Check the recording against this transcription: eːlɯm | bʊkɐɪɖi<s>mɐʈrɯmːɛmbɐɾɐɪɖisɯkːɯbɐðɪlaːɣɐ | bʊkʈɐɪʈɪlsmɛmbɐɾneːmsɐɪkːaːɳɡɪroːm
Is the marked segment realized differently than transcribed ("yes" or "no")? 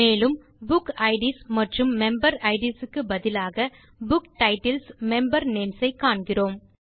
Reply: no